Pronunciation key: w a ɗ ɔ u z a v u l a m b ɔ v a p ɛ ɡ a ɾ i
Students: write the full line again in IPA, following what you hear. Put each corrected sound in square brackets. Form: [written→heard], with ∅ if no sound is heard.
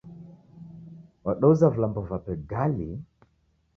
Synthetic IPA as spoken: w a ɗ ɔ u z a v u l a m b ɔ v a p ɛ ɡ a [ɾ→l] i